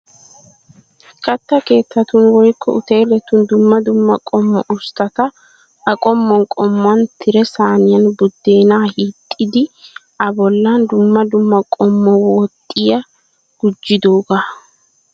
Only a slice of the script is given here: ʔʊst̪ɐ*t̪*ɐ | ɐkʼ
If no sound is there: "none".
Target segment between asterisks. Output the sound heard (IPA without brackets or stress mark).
t̪